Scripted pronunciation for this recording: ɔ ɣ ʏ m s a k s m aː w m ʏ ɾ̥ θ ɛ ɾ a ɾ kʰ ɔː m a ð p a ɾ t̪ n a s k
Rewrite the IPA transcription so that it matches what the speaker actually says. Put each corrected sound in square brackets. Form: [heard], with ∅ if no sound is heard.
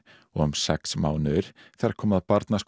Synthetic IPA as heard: ɔ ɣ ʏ m s [ɛ] k s m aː w [n] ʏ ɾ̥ θ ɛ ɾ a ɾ kʰ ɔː m a ð p a ɾ t̪ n a s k